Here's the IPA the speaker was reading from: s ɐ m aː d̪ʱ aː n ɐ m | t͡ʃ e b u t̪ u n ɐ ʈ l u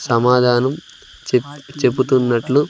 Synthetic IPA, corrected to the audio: s ɐ m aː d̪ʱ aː n ɐ m | t͡ʃ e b u t̪ u nː ɐ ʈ l u